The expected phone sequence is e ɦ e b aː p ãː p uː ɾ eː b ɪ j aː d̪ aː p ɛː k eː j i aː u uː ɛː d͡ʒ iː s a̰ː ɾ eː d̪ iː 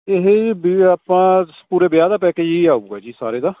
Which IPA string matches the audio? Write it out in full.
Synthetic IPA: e ɦ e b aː p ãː p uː ɾ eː b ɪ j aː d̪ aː p ɛː k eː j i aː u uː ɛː d͡ʒ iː s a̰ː ɾ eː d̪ aː